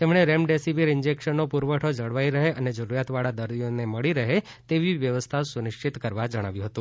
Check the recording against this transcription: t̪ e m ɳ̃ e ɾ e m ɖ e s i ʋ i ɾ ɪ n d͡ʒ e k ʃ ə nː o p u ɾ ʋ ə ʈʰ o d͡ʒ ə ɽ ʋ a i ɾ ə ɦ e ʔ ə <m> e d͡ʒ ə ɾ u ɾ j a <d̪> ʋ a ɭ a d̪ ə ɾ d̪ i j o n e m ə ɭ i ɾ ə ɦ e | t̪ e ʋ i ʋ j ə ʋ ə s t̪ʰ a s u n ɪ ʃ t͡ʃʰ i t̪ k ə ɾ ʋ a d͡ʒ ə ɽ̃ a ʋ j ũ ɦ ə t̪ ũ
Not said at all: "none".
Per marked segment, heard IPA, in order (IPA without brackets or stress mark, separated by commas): n, t̪